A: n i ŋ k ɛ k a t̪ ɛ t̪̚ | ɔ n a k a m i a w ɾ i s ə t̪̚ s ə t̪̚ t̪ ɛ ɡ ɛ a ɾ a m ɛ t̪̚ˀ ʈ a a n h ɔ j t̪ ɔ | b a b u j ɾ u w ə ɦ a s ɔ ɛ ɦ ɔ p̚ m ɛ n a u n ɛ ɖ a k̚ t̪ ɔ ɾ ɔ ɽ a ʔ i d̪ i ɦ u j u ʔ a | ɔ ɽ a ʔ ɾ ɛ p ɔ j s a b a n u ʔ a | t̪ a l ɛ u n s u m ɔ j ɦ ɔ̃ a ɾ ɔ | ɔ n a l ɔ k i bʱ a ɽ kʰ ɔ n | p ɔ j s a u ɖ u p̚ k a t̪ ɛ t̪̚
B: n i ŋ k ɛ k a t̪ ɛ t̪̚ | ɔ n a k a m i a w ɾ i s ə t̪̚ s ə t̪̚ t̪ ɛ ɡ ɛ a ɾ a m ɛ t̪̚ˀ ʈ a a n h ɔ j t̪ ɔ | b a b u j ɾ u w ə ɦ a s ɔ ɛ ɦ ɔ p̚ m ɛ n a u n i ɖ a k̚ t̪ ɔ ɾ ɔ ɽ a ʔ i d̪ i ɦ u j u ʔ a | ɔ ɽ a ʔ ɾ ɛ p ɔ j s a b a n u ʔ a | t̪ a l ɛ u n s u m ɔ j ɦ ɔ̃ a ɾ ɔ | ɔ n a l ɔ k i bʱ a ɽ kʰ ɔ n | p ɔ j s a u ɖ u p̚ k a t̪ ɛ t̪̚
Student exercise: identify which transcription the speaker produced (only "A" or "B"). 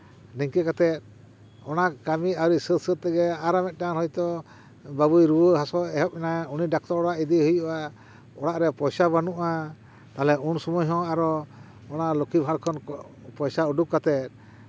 B